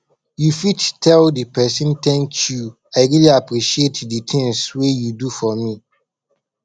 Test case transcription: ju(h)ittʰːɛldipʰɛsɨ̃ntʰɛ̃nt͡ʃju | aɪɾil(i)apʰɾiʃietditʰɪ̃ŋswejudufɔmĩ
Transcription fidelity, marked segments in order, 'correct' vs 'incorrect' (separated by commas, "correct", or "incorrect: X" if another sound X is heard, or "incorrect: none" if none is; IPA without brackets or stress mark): incorrect: f, correct